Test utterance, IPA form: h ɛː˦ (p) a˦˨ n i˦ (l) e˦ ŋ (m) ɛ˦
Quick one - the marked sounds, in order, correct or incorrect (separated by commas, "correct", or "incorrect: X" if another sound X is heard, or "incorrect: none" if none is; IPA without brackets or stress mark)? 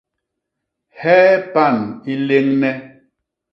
correct, correct, incorrect: n